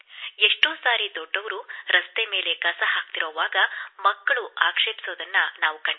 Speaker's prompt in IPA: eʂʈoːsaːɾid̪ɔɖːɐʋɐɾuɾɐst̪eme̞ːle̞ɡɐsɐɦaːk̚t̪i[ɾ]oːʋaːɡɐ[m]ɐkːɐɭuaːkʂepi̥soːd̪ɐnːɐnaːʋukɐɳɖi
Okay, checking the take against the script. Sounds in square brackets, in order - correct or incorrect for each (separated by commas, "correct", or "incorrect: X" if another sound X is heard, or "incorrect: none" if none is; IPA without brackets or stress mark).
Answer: correct, correct